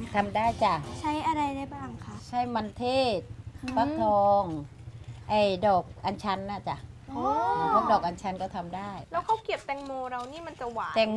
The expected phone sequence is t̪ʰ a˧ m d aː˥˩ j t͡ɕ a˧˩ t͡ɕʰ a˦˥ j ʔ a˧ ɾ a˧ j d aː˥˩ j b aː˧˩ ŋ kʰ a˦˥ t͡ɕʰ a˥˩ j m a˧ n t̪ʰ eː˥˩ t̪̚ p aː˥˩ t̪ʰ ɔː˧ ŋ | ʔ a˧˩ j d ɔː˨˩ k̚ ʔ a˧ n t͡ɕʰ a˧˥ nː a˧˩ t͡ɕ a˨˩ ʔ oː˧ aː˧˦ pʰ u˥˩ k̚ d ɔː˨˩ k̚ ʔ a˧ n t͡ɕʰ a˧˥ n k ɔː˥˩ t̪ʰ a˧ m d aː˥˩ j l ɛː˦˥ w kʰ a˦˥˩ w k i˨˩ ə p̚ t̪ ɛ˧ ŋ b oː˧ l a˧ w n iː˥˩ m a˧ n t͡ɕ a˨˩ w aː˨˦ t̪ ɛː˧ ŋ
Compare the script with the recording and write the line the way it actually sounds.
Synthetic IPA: t̪ʰ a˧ m d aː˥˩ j t͡ɕ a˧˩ t͡ɕʰ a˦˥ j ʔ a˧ ɾ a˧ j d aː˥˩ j b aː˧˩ ŋ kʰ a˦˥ t͡ɕʰ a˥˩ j m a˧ n t̪ʰ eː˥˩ t̪̚ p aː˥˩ t̪ʰ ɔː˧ ŋ | ʔ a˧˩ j d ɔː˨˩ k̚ ʔ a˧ n t͡ɕʰ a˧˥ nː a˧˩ t͡ɕ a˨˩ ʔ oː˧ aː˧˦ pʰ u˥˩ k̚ d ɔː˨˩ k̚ ʔ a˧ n t͡ɕʰ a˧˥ n k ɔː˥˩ t̪ʰ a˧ m d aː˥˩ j l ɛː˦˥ w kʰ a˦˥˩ w k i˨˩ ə p̚ t̪ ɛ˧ ŋ m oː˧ ɾ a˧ w n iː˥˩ m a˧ n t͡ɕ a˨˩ w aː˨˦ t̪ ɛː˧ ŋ

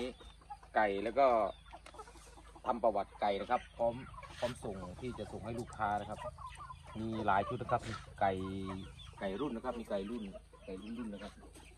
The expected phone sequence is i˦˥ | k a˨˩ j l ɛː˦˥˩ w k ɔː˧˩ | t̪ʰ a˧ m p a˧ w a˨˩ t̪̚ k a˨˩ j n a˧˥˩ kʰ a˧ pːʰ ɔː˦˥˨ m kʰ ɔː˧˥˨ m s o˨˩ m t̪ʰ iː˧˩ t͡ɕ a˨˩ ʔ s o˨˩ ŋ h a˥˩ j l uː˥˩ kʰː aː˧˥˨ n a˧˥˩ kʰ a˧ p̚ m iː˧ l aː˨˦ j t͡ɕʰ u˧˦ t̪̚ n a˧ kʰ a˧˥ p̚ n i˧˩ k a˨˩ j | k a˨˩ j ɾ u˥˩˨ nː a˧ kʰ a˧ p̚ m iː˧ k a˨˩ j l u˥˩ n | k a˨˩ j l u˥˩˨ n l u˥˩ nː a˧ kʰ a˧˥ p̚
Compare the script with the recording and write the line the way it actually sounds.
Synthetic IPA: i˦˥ | k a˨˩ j l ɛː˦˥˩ w k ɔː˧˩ | t̪ʰ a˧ m p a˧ w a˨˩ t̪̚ k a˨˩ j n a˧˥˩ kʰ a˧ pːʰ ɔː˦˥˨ m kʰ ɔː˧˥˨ m s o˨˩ ŋ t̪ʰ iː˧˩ t͡ɕ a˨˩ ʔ s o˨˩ ŋ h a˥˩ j l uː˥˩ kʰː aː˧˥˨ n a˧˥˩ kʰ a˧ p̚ m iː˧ l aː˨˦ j t͡ɕʰ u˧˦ t̪̚ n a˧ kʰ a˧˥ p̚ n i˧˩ k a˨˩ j | k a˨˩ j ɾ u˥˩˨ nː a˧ kʰ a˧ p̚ m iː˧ k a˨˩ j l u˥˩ n | k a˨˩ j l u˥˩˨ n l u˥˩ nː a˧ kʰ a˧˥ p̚

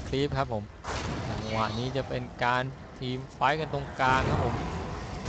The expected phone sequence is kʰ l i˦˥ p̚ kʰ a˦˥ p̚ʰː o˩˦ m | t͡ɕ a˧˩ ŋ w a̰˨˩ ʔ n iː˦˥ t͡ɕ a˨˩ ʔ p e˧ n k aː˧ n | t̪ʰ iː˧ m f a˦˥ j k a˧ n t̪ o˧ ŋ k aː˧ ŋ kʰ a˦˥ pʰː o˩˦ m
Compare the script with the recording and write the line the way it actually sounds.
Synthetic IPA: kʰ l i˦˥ p̚ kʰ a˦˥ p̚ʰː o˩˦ m | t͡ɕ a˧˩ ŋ w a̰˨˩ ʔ n iː˦˥ t͡ɕ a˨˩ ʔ p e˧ n k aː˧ n | t̪ʰ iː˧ m f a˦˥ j k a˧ n t̪ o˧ ŋ k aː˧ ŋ kʰ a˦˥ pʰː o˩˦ m

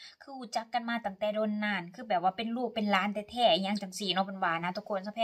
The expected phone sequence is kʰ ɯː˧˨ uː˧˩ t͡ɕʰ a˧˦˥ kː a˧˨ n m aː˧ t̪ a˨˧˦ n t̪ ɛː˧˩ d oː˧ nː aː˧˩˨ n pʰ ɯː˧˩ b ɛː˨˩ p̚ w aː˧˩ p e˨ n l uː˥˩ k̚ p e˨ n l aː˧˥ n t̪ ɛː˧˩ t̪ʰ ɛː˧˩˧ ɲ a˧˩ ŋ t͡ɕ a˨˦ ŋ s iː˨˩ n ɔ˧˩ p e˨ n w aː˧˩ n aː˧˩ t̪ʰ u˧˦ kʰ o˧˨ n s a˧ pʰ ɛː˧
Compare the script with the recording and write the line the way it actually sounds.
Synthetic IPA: kʰ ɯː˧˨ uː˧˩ t͡ɕ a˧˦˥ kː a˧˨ n m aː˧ t̪ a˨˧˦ ŋ t̪ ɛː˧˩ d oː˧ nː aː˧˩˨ n kʰ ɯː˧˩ b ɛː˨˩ p̚ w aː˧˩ p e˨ n l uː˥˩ k̚ p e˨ n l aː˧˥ n t̪ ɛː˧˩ t̪ʰ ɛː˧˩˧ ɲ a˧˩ ŋ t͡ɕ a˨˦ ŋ s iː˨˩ n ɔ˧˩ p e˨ n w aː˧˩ n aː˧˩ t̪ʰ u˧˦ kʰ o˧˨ n s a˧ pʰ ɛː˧

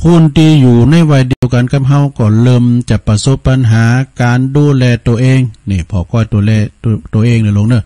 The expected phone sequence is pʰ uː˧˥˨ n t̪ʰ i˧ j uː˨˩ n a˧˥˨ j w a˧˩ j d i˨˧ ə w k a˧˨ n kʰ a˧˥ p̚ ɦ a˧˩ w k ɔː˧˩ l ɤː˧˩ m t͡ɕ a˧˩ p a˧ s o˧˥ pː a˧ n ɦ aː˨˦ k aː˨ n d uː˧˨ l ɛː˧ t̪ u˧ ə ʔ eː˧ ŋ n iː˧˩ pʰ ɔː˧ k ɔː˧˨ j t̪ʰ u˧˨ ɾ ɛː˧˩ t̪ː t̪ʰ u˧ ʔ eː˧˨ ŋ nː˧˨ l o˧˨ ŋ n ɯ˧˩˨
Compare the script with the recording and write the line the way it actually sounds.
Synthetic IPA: pʰ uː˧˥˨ n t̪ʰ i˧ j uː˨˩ n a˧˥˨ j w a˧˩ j d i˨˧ ə w k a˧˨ n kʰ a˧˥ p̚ ɦ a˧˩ w k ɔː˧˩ l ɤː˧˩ m t͡ɕ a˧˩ p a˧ s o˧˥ pː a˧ n ɦ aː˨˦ k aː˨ n d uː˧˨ l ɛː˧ t̪ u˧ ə ʔ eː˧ ŋ n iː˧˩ pʰ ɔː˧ k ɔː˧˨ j t̪ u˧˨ l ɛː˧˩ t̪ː t̪ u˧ ʔ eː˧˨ ŋ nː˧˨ l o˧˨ ŋ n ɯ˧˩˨

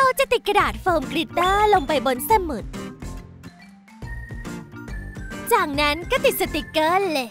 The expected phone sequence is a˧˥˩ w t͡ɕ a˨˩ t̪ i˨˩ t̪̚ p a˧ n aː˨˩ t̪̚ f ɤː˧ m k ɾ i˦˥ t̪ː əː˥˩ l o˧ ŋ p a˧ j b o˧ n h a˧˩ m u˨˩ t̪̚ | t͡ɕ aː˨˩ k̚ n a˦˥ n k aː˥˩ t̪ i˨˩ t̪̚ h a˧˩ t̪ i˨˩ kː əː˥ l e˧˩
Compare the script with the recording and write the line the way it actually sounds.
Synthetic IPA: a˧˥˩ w t͡ɕ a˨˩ t̪ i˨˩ t̪̚ k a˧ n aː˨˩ t̪̚ f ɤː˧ m k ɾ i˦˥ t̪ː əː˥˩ l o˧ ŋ p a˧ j b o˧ n s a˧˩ m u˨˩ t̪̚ | t͡ɕ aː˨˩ k̚ n a˦˥ n k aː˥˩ t̪ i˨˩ t̪̚ s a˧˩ t̪ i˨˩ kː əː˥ l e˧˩

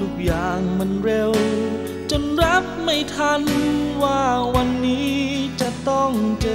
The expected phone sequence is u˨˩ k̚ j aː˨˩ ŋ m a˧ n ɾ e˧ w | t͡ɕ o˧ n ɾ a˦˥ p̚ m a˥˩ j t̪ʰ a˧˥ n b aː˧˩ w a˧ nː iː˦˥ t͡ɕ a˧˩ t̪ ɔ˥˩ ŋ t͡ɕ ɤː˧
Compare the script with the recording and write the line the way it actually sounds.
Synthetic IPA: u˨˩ k̚ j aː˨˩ ŋ m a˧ n ɾ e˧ w | t͡ɕ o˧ n ɾ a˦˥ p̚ m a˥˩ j t̪ʰ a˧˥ n w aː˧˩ w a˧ nː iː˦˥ t͡ɕ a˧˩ t̪ ɔ˥˩ ŋ t͡ɕ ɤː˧

